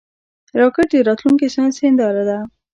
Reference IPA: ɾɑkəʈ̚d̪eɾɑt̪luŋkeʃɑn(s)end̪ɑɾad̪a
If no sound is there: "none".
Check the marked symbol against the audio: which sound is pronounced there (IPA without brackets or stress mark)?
s